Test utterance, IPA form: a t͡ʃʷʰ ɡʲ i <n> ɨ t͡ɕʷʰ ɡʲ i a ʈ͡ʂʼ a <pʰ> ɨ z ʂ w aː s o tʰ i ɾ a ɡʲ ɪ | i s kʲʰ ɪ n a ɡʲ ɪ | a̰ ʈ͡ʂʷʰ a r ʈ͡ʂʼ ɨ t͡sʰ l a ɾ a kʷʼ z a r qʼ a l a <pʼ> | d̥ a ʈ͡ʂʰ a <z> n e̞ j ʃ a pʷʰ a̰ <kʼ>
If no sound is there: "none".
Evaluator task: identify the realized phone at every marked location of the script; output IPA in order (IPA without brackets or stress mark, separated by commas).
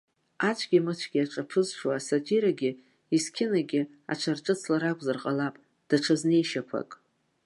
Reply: m, pʰ, pʼ, z, kʼ